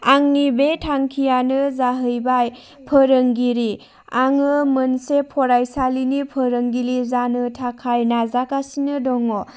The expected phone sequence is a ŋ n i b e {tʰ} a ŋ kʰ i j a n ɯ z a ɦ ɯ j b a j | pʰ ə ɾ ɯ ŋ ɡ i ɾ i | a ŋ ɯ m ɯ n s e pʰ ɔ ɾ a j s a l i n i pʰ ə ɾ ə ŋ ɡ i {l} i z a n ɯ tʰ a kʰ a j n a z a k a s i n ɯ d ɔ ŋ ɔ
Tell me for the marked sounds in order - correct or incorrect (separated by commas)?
correct, correct